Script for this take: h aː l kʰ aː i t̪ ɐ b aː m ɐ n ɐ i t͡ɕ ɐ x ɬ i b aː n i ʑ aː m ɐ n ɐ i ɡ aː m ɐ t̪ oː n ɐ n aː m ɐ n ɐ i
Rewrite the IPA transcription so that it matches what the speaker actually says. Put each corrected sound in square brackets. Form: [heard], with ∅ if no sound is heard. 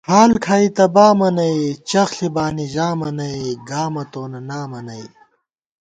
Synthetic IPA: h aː l kʰ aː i t̪ ɐ b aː m ɐ n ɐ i t͡ɕ ɐ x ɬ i b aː n i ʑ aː m ɐ n ɐ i ɡ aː m ɐ t̪ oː n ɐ n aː m ɐ n ɐ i